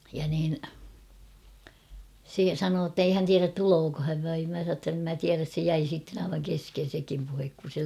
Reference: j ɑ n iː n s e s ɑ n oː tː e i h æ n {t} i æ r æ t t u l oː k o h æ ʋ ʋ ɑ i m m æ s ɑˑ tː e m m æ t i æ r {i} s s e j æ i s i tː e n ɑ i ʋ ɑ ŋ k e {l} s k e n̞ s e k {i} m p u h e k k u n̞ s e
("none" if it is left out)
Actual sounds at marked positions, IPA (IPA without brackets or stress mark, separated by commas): t, æ, none, i